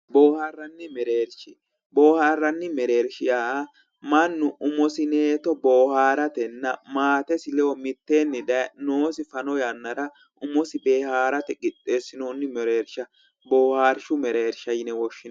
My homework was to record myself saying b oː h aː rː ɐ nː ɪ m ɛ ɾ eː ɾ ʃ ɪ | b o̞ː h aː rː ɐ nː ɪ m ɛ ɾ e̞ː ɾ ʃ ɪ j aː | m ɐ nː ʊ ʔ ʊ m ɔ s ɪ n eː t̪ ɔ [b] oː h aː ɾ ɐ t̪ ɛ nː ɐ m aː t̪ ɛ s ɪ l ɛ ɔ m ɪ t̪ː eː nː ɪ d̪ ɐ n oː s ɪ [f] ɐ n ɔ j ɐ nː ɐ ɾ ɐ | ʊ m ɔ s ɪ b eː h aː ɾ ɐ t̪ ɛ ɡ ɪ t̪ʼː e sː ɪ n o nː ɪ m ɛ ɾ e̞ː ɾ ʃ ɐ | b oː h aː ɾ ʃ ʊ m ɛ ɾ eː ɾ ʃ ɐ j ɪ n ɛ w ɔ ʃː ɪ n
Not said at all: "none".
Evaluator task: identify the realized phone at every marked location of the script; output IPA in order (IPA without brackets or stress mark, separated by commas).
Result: b, f